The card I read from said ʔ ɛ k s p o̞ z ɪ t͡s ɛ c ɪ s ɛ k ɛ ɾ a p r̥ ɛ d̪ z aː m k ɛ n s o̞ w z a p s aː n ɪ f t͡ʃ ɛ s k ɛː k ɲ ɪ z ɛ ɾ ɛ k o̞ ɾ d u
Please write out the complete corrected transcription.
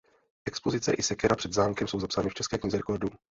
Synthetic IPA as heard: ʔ ɛ k s p o̞ z ɪ t͡s ɛ ʔ ɪ s ɛ k ɛ ɾ a p r̥ ɛ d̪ z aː m k ɛ m s o̞ w z a p s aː n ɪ f t͡ʃ ɛ s k ɛː k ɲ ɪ z ɛ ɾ ɛ k o̞ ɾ d u